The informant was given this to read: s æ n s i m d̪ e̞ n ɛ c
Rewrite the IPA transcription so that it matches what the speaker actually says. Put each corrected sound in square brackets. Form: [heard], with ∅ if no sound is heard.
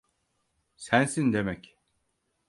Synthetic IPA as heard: s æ n s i [n] d̪ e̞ [m] ɛ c